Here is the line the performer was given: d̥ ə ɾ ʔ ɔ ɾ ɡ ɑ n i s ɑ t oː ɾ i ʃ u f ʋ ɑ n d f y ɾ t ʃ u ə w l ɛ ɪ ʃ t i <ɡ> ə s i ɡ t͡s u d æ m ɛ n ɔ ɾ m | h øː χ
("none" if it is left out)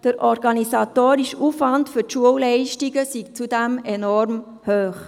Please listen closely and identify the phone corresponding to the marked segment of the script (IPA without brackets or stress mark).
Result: ɡ